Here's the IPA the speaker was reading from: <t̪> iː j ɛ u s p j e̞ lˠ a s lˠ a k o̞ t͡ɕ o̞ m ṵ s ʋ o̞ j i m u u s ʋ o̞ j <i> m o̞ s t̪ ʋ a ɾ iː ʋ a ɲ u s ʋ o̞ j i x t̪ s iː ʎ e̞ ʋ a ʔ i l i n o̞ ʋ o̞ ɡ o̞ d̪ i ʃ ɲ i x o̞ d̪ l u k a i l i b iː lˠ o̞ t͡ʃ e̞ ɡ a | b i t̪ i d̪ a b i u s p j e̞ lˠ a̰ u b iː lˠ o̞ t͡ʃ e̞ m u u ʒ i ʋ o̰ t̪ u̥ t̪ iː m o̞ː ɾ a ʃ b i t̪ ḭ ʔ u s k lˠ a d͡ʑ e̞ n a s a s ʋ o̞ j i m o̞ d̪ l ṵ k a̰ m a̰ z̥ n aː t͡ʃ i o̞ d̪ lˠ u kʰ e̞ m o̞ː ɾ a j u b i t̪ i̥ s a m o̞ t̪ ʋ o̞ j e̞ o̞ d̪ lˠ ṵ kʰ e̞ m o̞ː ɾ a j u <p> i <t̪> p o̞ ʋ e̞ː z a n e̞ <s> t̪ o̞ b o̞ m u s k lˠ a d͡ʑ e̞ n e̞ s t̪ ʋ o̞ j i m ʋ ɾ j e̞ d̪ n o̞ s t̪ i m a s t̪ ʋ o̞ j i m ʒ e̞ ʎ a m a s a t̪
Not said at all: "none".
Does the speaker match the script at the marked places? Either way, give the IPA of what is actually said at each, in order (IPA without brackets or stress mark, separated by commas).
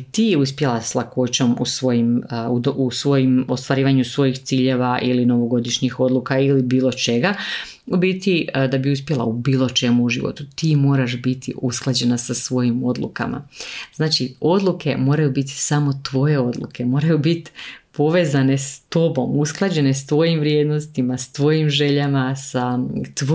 t̪, i, b, t̪, s